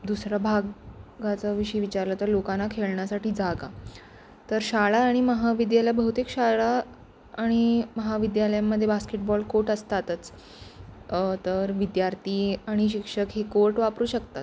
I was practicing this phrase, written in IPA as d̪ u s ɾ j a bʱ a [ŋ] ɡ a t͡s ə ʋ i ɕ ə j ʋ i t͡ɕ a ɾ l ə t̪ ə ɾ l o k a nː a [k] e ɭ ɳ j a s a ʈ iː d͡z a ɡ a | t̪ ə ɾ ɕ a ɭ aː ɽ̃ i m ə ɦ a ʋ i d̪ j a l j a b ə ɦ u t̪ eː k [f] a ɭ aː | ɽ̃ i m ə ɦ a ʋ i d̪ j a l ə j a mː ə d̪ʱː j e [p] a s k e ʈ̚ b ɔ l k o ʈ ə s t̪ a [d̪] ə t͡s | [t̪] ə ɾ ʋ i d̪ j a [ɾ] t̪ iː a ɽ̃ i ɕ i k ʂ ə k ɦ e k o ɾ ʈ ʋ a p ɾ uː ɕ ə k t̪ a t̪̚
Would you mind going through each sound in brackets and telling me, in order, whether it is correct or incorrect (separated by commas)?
incorrect, incorrect, incorrect, incorrect, incorrect, correct, correct